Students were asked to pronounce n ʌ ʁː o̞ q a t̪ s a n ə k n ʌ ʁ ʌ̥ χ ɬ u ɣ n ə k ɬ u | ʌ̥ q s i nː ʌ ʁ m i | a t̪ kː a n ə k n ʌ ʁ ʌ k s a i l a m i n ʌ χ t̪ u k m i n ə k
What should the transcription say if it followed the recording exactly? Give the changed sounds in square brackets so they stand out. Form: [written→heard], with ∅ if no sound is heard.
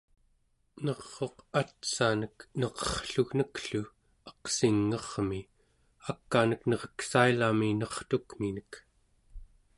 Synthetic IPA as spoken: n ʌ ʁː o̞ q a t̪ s a n ə k n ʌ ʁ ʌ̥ χ ɬ u ɣ n ə k ɬ u | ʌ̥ q s i [nː→ŋː] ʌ ʁ m i | a [t̪→∅] kː a n ə k n ʌ ʁ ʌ k s a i l a m i n ʌ χ t̪ u k m i n ə k